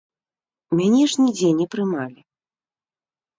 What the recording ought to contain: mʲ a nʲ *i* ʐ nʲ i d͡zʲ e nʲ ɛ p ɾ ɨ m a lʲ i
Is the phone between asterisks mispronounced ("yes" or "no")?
yes